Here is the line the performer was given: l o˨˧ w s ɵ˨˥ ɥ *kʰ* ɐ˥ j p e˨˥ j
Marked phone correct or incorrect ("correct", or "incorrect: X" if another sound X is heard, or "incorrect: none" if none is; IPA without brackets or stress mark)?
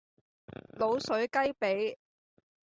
incorrect: k